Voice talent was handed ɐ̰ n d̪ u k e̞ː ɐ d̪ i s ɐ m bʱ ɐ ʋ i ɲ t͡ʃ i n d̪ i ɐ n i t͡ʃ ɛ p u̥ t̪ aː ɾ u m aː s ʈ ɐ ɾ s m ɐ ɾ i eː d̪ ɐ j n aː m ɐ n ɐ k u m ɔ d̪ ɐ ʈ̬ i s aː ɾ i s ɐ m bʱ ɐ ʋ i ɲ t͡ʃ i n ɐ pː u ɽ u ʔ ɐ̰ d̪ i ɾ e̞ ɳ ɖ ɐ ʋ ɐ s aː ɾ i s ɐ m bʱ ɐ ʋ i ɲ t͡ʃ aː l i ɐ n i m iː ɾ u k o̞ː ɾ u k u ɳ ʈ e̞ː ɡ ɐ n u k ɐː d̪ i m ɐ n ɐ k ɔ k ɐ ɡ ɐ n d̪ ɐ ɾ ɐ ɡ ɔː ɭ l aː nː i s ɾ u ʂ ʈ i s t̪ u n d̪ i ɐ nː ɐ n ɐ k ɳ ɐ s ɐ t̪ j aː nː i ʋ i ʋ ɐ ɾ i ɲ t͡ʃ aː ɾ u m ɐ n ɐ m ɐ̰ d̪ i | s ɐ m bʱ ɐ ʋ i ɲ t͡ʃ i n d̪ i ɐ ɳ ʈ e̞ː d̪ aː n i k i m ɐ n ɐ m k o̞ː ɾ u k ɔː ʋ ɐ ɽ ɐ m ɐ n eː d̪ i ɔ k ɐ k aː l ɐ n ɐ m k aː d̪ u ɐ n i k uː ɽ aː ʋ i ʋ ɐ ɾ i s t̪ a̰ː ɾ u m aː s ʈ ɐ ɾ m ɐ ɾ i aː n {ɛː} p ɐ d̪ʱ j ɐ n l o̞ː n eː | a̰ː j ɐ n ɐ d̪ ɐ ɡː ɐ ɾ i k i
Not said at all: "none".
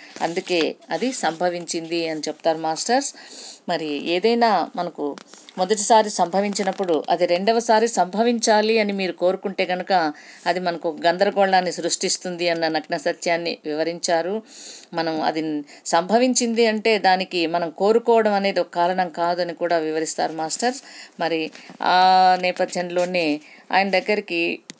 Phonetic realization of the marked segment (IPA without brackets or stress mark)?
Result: ɛː